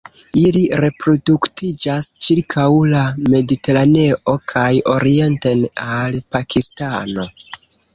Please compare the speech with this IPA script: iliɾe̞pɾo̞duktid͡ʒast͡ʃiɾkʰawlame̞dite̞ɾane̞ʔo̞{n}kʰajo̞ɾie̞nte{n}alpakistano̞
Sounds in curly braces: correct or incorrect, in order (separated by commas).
incorrect, correct